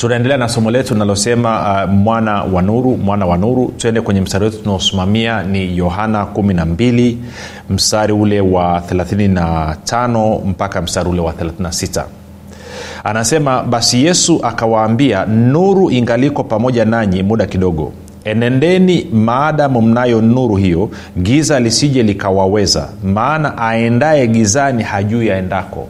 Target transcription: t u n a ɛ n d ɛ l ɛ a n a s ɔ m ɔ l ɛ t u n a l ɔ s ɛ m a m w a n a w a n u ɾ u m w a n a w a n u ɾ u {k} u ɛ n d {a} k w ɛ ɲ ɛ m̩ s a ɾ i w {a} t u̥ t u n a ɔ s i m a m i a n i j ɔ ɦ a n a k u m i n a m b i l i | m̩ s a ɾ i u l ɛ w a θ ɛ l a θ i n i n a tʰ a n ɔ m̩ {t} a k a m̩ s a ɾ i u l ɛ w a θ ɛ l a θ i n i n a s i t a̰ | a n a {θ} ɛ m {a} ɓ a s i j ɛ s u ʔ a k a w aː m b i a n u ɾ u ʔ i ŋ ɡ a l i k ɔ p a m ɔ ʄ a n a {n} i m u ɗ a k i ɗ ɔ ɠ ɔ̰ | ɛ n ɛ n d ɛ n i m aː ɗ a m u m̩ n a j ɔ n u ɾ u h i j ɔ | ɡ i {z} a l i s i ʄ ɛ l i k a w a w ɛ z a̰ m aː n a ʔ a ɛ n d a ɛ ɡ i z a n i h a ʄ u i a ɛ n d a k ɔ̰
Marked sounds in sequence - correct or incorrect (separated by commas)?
incorrect, incorrect, incorrect, incorrect, incorrect, correct, incorrect, correct